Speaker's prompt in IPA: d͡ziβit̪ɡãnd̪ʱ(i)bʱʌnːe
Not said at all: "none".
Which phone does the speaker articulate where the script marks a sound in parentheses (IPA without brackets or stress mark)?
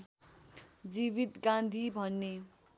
i